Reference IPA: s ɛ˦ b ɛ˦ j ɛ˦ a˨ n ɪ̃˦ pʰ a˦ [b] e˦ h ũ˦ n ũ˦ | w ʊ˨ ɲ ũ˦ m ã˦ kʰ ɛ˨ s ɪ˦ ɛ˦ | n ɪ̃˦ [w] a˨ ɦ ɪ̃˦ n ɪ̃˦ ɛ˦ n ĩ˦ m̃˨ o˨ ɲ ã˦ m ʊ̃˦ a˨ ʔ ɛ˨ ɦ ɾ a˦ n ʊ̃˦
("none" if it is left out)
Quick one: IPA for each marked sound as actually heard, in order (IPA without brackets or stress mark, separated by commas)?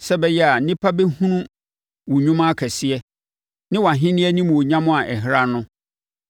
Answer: b, w